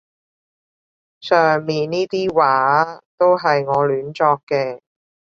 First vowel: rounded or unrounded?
rounded